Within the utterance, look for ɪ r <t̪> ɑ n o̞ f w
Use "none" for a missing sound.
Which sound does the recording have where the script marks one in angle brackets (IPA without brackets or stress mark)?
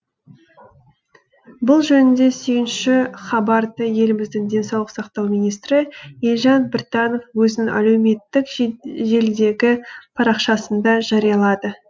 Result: t̪